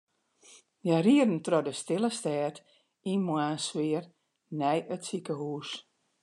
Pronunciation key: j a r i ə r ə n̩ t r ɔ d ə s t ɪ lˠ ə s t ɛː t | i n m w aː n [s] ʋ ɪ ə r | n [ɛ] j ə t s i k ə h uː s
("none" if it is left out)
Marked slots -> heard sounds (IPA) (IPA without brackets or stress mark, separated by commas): s, ɛ